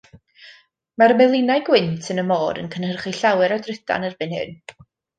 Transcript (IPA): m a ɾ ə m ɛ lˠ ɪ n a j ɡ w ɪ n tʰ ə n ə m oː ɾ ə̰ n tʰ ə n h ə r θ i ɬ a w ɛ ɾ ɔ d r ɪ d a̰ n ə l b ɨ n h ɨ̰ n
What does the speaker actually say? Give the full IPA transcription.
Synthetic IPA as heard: m a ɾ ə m ɛ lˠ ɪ n a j ɡ w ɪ n tʰ ə n ə m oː ɾ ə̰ n kʰ ə n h ə r χ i ɬ a w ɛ ɾ ɔ d r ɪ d a̰ n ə r b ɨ n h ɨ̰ n